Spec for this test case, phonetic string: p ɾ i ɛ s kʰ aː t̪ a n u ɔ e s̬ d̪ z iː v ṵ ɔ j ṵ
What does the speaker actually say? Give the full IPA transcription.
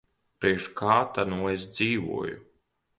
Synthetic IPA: p ɾ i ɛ ʃ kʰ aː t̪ a n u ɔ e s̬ d̪ z iː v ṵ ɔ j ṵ